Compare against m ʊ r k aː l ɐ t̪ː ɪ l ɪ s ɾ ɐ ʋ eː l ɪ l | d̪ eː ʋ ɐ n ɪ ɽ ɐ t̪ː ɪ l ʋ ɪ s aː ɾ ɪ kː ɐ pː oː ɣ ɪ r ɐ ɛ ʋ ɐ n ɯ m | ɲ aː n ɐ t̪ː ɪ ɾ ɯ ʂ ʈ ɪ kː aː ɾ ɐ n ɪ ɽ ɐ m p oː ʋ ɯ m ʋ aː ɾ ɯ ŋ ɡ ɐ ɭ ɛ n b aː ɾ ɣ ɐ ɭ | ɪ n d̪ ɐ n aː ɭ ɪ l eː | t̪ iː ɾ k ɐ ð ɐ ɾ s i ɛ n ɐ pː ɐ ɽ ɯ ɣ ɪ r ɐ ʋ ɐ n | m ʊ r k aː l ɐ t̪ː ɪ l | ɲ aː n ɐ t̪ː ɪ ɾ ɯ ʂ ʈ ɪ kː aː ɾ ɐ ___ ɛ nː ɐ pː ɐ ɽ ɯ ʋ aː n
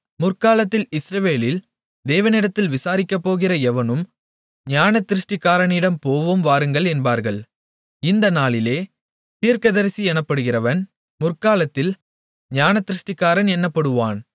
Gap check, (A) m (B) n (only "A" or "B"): B